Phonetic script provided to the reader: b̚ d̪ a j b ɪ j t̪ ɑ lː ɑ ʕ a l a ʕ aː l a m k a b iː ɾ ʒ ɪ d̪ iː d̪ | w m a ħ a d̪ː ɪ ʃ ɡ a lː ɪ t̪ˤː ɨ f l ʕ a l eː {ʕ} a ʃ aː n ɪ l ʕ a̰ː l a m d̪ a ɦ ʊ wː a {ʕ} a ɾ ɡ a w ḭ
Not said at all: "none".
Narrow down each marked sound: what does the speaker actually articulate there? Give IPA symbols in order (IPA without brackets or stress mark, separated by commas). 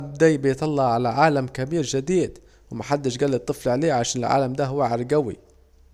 ʕ, ʕ